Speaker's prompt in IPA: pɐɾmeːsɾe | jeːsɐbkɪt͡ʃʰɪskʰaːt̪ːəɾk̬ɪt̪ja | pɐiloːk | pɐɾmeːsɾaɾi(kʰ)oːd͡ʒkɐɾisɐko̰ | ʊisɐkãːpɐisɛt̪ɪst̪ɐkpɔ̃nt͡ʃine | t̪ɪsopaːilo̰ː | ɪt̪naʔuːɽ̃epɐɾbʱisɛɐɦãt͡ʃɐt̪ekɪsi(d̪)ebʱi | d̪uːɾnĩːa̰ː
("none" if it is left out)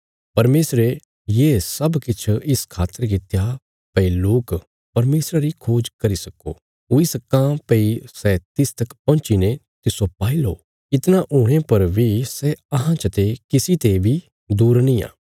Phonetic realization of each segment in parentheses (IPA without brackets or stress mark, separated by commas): kʰ, t̪